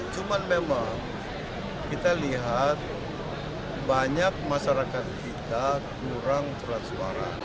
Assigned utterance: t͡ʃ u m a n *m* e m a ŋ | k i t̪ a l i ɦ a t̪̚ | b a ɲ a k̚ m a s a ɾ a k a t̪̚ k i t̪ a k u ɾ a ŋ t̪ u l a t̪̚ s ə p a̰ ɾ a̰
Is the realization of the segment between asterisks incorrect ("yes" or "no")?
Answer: no